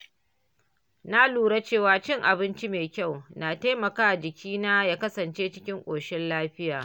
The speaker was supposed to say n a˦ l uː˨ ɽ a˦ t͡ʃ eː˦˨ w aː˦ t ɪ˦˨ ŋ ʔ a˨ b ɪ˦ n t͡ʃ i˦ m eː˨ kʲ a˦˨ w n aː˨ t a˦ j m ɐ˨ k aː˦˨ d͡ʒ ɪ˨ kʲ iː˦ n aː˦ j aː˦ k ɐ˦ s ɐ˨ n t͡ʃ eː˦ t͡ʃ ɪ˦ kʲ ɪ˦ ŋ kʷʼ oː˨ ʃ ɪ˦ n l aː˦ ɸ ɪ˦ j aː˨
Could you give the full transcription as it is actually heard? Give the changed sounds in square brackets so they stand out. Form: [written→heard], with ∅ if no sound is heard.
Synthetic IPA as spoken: n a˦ l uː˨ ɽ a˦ t͡ʃ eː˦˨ w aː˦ [t→t͡ʃ] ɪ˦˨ ŋ ʔ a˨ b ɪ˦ n t͡ʃ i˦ m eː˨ kʲ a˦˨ w n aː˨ t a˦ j m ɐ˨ k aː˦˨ d͡ʒ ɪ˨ kʲ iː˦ n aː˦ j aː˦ k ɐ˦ s ɐ˨ n t͡ʃ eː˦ t͡ʃ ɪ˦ kʲ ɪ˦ ŋ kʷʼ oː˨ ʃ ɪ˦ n l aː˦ ɸ ɪ˦ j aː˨